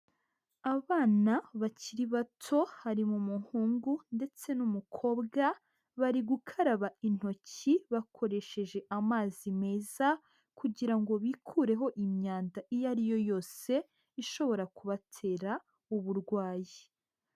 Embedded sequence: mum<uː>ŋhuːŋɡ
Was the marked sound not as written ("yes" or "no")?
yes